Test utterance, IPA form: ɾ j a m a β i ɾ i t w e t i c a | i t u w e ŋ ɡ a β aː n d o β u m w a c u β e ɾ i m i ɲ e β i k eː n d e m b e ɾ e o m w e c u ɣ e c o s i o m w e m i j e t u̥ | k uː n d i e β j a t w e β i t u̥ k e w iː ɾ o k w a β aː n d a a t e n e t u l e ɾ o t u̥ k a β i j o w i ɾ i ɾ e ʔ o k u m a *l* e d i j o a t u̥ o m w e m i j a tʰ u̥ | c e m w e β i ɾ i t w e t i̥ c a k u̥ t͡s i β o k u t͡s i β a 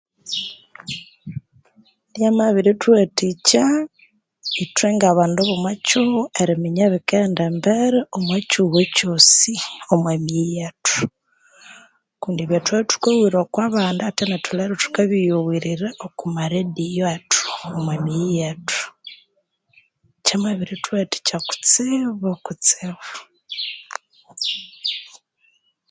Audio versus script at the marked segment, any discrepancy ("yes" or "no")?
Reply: yes